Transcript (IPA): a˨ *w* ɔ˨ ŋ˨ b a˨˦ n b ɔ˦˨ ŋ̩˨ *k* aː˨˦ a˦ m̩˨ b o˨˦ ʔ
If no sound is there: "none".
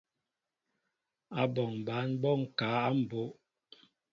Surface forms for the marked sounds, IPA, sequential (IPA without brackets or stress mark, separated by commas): b, k